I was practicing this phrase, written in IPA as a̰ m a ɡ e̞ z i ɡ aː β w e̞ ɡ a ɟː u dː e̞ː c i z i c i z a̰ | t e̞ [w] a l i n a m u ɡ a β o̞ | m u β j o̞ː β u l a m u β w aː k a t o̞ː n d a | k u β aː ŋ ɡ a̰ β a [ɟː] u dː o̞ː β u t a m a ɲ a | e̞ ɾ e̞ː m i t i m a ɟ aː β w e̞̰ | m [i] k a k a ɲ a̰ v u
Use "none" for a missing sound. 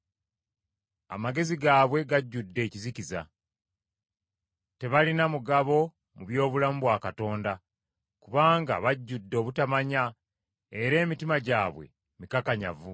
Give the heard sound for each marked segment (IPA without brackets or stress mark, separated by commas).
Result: β, ɟː, i